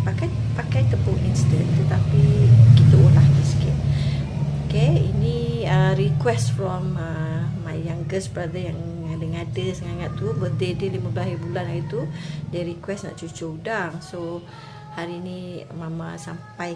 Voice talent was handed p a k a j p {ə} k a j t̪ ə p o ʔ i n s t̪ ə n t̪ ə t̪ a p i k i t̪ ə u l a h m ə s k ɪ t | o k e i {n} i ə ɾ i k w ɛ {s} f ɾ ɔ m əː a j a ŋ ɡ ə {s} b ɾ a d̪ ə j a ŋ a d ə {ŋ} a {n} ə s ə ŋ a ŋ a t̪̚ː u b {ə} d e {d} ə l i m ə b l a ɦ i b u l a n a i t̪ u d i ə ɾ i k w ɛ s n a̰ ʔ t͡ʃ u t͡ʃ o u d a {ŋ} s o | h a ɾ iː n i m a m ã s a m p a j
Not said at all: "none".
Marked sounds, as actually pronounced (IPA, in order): a, n, s, s, ŋ, d, ə, d, ŋ

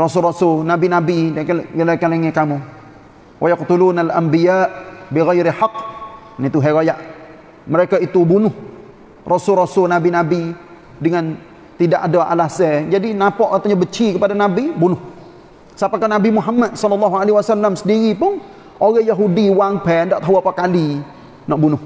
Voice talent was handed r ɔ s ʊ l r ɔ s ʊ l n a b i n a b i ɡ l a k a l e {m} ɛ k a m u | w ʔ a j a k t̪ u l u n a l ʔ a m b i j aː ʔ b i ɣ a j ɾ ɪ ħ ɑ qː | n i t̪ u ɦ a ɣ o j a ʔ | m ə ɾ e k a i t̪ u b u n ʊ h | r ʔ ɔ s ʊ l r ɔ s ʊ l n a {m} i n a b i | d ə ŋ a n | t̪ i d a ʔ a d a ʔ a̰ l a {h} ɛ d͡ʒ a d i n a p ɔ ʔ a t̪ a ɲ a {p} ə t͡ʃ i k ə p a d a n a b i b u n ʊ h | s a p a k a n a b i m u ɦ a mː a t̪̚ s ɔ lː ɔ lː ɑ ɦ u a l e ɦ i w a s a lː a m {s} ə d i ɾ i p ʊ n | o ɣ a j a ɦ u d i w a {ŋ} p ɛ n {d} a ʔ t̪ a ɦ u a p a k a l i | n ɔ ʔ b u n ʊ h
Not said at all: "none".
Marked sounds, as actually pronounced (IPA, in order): ŋ, b, s, b, s, ŋ, d

